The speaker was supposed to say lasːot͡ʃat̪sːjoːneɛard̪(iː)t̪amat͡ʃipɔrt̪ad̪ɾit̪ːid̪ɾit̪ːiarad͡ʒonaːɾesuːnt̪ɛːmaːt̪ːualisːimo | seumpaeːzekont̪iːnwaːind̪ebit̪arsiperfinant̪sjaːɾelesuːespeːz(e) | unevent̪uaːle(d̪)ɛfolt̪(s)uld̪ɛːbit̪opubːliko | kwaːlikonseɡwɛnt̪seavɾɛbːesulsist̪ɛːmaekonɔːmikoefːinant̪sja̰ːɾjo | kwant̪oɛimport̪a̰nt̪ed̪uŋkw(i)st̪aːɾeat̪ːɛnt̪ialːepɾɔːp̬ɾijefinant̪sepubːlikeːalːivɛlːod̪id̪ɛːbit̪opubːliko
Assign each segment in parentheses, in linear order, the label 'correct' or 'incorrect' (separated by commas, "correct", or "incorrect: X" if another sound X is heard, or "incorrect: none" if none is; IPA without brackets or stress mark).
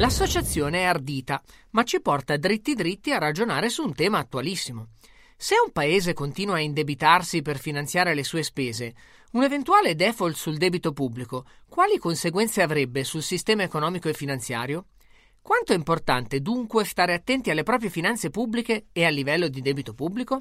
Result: correct, correct, correct, correct, incorrect: e